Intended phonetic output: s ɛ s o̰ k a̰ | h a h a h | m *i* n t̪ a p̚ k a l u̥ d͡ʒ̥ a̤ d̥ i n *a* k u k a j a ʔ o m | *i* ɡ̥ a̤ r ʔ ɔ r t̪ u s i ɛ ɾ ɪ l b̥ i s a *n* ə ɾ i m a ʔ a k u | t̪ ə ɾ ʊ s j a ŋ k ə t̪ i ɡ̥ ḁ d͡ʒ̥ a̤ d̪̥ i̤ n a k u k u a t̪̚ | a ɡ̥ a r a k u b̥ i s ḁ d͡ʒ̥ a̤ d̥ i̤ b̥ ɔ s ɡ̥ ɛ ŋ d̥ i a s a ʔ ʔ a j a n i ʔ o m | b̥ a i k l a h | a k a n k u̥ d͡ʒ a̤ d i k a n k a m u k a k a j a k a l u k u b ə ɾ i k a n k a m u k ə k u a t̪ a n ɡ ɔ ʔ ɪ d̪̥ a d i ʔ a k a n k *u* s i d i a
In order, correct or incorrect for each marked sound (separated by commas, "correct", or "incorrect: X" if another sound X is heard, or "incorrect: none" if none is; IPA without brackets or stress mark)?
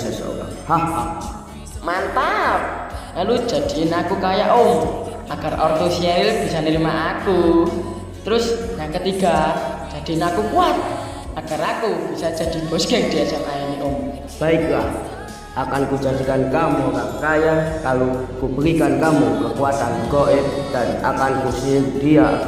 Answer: incorrect: a, correct, incorrect: a, correct, correct